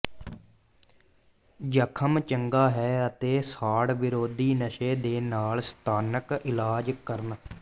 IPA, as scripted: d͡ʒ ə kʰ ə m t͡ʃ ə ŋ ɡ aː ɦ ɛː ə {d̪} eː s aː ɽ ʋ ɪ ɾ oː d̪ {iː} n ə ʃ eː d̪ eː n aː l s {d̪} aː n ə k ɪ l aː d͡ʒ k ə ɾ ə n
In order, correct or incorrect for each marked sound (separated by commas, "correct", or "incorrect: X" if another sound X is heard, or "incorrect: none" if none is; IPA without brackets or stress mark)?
incorrect: t̪, correct, incorrect: t̪